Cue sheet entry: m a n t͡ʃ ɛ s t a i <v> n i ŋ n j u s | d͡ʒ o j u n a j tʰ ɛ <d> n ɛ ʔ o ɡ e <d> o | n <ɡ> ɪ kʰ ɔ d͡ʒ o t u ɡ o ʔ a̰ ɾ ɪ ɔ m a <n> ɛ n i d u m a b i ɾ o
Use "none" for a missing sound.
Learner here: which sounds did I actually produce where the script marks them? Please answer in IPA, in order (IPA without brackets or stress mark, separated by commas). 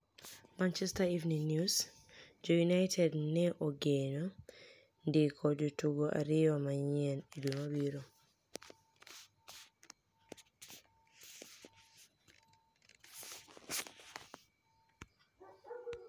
v, d, n, d, ɲ